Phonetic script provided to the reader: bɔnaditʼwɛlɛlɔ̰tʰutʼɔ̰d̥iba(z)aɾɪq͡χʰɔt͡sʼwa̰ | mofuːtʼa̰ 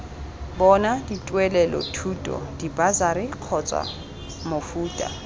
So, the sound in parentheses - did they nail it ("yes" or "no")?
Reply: yes